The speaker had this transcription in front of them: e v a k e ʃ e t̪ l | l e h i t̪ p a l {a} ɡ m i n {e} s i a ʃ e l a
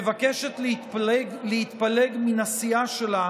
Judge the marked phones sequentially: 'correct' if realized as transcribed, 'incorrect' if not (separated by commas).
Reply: incorrect, incorrect